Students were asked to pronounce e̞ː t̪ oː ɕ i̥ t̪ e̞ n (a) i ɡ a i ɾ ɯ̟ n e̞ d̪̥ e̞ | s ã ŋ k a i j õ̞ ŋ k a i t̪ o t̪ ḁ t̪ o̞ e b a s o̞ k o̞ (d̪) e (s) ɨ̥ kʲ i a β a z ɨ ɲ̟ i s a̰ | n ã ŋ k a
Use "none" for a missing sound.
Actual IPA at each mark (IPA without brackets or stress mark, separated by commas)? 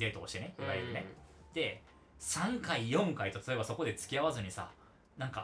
e, d̪, t͡s